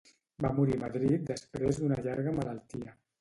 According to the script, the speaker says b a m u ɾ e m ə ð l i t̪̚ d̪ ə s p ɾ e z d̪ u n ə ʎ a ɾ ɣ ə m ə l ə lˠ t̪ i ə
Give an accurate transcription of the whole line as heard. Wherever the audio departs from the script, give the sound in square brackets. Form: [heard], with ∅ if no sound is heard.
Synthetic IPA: b a m u ɾ [i] m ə ð [ɾ] i t̪̚ d̪ ə s p ɾ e z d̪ u n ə ʎ a ɾ ɣ ə m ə l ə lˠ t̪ i ə